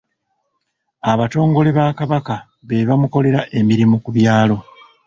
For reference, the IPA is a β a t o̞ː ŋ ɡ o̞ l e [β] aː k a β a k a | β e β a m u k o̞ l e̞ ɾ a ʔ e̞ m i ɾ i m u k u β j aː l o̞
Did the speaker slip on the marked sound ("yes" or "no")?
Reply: no